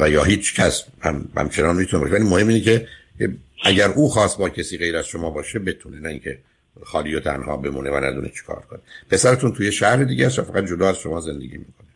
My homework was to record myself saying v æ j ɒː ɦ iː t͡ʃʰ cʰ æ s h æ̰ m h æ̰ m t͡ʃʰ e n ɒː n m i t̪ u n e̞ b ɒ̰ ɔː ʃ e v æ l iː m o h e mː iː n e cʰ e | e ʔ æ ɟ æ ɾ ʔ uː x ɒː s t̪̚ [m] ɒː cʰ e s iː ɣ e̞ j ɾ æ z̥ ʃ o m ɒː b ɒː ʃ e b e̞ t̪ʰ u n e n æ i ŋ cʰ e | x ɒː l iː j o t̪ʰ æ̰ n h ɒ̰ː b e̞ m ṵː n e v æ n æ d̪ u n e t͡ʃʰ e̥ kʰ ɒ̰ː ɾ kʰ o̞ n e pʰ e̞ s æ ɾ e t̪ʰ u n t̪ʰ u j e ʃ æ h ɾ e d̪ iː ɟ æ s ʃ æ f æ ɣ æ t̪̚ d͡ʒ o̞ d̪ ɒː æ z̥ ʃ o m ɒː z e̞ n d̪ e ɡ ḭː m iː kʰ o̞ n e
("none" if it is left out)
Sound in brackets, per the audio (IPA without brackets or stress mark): b